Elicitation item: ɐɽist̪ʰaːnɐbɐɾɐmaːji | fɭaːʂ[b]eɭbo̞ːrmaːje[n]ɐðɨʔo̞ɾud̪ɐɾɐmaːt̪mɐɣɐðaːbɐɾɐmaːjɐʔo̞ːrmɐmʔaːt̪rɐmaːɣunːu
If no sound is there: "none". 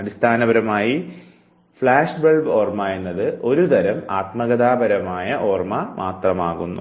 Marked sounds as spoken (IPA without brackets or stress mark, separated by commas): b, nː